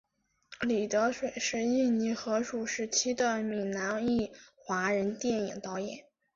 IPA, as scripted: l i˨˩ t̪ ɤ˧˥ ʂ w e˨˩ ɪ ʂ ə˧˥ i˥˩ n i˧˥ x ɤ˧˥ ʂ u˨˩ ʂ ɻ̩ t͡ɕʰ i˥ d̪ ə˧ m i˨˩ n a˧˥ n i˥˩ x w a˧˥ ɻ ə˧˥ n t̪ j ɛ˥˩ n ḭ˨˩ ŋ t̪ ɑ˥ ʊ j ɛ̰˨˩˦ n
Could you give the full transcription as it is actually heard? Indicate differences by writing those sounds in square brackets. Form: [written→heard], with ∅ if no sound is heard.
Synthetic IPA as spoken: l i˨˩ t̪ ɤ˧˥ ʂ w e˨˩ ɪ ʂ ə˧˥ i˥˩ n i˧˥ x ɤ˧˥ ʂ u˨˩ ʂ ɻ̩ t͡ɕʰ i˥ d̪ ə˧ m i˨˩ n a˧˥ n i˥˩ x w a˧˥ ɻ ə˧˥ n t̪ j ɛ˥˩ n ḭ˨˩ ŋ t̪ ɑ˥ ʊ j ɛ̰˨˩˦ n